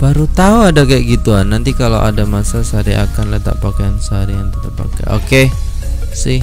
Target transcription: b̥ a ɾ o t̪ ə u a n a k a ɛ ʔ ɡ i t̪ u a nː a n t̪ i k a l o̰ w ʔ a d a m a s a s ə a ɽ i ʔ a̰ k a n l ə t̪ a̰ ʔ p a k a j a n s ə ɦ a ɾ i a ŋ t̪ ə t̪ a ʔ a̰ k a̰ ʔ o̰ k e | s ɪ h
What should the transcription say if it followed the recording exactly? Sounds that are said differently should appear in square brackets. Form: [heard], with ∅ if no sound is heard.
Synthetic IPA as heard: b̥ a ɾ [u] t̪ [a] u a [d] a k a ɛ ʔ ɡ i t̪ u a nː a n t̪ i k a l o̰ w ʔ a d a m a s a s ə a [ɾ] i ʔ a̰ k a n l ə t̪ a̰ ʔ p a k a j a n s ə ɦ a ɾ i a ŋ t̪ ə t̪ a [p] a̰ k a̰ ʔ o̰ k e | s ɪ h